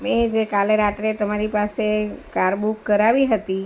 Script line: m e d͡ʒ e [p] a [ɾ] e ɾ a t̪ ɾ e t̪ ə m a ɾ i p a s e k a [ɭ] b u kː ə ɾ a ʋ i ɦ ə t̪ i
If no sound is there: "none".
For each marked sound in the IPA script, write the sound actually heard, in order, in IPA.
k, l, ɾ

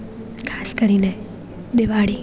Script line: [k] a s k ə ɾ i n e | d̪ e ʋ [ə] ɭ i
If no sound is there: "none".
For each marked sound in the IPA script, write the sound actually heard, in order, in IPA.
kʰ, a

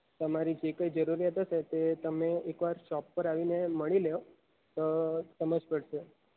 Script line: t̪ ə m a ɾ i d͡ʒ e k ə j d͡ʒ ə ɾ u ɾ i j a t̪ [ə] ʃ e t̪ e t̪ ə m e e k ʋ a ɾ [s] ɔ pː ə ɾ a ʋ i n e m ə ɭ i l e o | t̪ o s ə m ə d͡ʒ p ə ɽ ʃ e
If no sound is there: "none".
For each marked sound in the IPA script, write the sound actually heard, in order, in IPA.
ə, ʃ

